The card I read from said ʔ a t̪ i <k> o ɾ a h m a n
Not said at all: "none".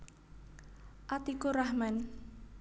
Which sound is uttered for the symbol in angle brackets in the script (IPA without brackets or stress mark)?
k